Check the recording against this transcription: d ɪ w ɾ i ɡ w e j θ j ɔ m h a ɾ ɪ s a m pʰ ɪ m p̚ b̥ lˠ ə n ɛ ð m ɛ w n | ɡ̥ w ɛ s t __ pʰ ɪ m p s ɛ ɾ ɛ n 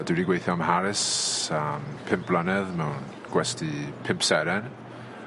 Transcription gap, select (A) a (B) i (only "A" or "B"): B